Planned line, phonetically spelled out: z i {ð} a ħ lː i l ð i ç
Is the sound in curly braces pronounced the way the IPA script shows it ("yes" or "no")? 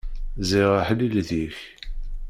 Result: no